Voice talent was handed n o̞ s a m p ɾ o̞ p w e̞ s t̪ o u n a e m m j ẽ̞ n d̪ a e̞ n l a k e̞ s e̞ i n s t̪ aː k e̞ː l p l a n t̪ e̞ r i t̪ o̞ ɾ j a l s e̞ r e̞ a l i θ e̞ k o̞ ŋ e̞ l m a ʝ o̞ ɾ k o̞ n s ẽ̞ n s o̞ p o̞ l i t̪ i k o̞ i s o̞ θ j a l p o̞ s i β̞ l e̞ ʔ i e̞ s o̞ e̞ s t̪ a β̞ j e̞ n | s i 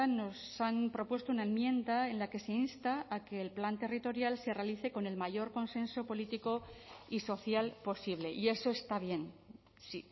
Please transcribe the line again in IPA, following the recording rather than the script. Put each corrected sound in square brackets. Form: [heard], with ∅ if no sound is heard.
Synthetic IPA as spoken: n o̞ s a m p ɾ o̞ p w e̞ s t̪ o u n a e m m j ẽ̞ n d̪ a e̞ n l a k e̞ s e̞ i n s t̪ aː k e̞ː l p l a n t̪ e̞ r i t̪ o̞ ɾ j a l s e̞ r e̞ a l i θ e̞ k o̞ [n] e̞ l m a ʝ o̞ ɾ k o̞ n s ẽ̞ n s o̞ p o̞ l i t̪ i k o̞ i s o̞ θ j a l p o̞ s i β̞ l e̞ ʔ i e̞ s o̞ e̞ s t̪ a β̞ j e̞ n | s i

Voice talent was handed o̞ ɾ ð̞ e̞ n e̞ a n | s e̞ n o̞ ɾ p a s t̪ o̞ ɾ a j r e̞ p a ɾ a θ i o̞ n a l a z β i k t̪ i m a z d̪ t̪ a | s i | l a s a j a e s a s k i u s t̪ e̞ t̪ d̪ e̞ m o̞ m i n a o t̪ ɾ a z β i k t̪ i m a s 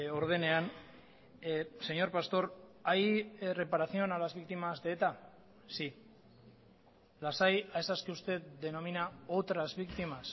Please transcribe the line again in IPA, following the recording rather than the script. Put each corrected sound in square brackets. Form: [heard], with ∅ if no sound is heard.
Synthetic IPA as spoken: o̞ ɾ ð̞ e̞ n e̞ a n | s e̞ [ɲ] o̞ ɾ p a s t̪ o̞ ɾ a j r e̞ p a ɾ a θ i o̞ n a l a z β i k t̪ i m a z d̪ t̪ a | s i | l a s a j a e s a s k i u s t̪ e̞ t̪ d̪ e̞ [n] o̞ m i n a o t̪ ɾ a z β i k t̪ i m a s

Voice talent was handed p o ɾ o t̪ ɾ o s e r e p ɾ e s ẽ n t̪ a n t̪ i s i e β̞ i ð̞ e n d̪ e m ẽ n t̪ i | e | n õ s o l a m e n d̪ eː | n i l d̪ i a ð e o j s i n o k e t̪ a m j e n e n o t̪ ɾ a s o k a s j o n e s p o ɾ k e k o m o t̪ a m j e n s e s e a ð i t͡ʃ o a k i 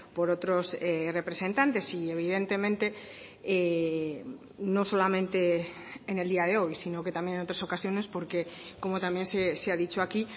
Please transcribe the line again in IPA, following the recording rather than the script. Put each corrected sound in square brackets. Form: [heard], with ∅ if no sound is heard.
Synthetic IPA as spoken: p o ɾ o t̪ ɾ o s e r e p ɾ e s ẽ n t̪ a n t̪ [e] s i e β̞ i ð̞ e n [t̪] e m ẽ n t̪ [e] | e | n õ s o l a m [ẽ] n [t̪] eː | n [e] l d̪ i a ð e o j s i n o k e t̪ a m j e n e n o t̪ ɾ a s o k a s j o n e s p o ɾ k e k o m o t̪ a m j e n s e s e a ð i t͡ʃ o a k i

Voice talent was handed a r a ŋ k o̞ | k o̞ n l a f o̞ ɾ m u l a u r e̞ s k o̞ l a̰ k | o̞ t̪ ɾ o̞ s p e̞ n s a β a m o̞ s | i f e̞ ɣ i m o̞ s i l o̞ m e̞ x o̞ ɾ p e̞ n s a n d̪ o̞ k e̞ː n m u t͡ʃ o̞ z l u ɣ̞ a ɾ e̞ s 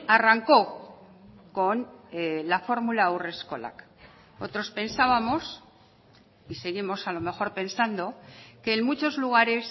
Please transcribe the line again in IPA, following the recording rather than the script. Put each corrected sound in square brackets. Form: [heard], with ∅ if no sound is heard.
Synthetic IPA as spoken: a r a ŋ k o̞ | k o̞ n l a f o̞ ɾ m u l a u r e̞ s k o̞ l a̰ k | o̞ t̪ ɾ o̞ s p e̞ n s a β a m o̞ s | i [s] e̞ ɣ i m o̞ s [a] l o̞ m e̞ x o̞ ɾ p e̞ n s a n d̪ o̞ k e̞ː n m u t͡ʃ o̞ z l u ɣ̞ a ɾ e̞ s

